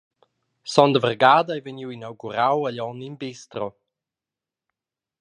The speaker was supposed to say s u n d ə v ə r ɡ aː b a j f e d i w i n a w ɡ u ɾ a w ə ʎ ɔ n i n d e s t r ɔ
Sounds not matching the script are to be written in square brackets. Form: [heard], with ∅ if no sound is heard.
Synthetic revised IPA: s [ɔ] n d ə v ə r ɡ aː [d] a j [v] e [n] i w i n a w ɡ u ɾ a w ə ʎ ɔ n i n [b] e s t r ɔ